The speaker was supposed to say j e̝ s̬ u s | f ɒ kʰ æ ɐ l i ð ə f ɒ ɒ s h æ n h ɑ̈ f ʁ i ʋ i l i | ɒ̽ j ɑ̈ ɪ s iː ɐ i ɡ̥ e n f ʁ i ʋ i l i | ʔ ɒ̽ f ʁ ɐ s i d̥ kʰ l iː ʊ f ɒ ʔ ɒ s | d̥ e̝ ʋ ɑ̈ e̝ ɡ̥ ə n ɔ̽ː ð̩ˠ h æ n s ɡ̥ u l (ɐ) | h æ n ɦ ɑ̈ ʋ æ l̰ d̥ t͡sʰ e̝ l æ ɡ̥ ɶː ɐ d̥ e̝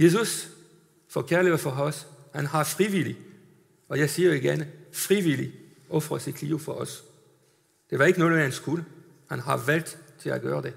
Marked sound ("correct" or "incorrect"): incorrect